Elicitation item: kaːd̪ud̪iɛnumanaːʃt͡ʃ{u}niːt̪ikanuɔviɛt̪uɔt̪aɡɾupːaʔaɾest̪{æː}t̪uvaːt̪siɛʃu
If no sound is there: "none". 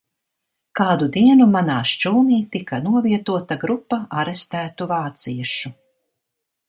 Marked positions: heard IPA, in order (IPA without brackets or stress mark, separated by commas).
uː, æː